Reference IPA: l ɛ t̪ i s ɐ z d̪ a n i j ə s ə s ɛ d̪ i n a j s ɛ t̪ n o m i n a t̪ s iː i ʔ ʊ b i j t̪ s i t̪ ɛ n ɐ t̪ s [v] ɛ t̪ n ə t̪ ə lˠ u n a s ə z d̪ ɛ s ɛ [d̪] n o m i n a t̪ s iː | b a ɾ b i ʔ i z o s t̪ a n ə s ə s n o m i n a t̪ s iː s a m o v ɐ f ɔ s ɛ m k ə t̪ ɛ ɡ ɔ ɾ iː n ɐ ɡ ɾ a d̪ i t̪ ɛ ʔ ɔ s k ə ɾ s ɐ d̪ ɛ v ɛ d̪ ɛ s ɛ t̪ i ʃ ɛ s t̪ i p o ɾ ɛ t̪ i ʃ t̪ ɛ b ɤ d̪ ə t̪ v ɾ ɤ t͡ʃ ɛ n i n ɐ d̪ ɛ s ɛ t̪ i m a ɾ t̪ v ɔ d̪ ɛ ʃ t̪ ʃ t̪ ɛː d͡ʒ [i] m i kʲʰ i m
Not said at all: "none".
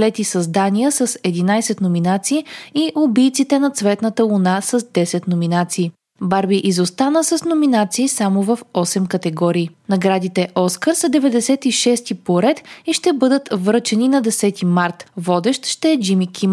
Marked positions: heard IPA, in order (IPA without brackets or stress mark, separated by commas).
v, t̪, i